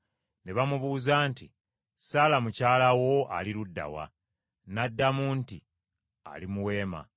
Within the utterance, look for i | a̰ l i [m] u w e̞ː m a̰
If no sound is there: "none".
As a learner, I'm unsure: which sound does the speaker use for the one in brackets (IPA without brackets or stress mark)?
m